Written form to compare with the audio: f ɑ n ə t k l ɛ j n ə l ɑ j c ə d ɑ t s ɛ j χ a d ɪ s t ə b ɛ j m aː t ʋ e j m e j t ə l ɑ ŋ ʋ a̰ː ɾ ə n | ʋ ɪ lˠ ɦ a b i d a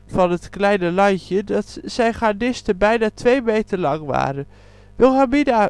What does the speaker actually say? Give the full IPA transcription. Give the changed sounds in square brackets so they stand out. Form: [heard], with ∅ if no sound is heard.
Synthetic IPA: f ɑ n ə t k l ɛ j n ə l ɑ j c ə d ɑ t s ɛ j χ a d ɪ s t ə b ɛ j [n] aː t ʋ e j m e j t ə l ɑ ŋ ʋ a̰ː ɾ ə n | ʋ ɪ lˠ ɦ a [m] i d a